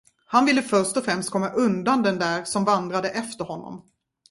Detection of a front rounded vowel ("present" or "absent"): present